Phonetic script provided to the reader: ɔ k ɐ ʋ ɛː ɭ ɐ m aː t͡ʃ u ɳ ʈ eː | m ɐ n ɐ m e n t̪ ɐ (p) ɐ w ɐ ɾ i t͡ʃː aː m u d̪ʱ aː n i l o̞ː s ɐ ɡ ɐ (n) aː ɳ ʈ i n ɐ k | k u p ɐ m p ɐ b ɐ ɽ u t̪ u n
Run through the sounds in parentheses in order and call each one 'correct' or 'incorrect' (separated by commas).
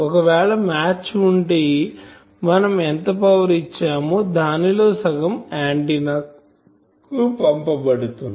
correct, incorrect